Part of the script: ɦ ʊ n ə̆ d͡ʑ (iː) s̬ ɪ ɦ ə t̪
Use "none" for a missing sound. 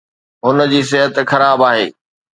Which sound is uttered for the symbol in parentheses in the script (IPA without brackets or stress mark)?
iː